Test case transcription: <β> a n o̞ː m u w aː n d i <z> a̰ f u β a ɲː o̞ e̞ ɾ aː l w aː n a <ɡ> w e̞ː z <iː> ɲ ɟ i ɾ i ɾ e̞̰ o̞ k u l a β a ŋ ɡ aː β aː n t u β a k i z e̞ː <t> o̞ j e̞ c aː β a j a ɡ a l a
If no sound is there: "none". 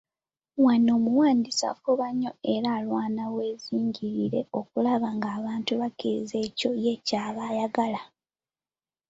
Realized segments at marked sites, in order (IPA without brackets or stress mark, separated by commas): w, s, none, iː, c